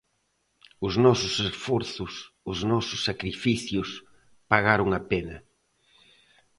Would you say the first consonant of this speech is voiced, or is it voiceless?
voiced